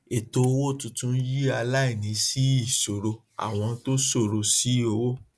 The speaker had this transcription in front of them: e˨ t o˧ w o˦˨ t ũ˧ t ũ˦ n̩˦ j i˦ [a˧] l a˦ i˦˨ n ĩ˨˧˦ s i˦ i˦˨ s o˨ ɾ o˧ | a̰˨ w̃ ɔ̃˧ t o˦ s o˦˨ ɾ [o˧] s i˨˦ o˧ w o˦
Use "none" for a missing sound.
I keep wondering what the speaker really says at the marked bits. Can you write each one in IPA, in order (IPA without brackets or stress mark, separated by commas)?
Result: a˧, o˧